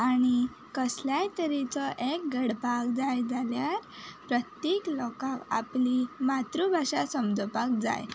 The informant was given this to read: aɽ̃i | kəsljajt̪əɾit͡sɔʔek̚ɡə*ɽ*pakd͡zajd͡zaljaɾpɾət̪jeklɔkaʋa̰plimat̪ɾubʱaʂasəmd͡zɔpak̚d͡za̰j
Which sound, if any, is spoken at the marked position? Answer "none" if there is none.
ɽ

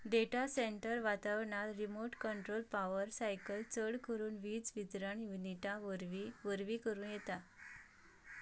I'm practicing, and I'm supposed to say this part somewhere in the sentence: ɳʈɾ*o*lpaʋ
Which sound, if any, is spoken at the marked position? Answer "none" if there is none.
o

